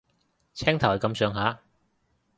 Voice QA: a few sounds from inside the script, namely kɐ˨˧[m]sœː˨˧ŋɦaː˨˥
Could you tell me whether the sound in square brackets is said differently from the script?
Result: no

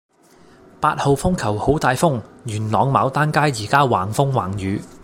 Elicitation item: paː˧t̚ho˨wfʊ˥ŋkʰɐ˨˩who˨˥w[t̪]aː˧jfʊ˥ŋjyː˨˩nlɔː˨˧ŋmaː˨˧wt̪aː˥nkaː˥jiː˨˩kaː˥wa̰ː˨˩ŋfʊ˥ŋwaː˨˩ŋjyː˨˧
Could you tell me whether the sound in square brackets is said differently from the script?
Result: no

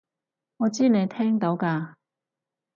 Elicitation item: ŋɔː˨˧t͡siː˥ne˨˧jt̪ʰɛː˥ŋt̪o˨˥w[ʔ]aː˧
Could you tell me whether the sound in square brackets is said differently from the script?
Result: yes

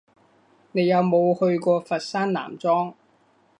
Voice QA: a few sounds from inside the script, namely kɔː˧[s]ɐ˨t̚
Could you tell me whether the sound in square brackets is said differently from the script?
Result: yes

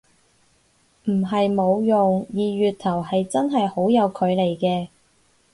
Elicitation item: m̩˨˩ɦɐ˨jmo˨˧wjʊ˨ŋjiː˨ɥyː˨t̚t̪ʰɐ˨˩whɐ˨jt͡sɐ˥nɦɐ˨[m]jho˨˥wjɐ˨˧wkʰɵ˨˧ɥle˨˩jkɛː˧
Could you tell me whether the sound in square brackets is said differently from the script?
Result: yes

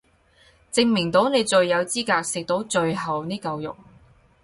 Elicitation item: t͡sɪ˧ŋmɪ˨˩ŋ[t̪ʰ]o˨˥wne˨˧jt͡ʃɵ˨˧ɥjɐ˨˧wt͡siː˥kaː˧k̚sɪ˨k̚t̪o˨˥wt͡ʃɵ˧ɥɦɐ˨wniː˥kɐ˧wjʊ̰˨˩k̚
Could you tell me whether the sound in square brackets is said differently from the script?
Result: yes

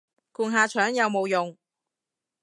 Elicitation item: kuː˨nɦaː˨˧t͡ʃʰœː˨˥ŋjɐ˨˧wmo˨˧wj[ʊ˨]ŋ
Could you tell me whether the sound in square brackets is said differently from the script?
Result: no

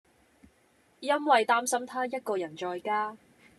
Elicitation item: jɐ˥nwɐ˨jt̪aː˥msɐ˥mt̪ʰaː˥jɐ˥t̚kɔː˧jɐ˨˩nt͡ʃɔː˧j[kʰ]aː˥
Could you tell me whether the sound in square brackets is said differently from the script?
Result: yes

